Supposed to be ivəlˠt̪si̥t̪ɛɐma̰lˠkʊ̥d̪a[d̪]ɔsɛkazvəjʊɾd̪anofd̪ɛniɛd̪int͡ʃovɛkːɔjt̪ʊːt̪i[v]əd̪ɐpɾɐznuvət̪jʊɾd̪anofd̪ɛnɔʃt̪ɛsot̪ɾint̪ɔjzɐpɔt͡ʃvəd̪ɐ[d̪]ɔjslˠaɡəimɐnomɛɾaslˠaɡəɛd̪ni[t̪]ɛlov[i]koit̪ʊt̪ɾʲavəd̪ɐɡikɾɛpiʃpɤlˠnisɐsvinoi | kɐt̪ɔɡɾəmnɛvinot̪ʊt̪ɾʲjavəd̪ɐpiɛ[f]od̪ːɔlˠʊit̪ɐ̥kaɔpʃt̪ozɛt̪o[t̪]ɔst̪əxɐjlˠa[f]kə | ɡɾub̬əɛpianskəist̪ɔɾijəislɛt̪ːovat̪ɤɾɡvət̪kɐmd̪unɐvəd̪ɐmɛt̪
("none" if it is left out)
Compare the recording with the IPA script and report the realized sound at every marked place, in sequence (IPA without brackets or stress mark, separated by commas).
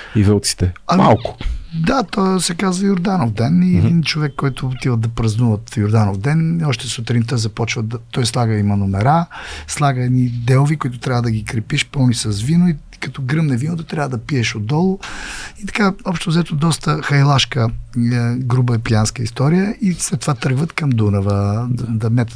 t̪, v, t̪, d̪, i, ʃ, d̪, ʃ